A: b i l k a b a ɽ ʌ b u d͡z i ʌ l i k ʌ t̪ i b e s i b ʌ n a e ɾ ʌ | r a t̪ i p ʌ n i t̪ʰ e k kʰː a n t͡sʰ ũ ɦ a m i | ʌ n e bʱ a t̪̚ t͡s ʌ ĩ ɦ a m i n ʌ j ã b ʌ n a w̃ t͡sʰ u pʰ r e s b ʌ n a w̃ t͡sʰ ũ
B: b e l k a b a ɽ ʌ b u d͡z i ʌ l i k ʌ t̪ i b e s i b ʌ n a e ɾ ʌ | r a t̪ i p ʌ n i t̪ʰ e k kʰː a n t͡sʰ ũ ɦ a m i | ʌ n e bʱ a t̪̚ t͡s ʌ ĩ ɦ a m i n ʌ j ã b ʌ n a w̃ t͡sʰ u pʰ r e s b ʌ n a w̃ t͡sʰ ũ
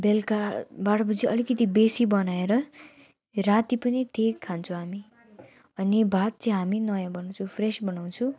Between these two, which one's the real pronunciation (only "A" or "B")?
B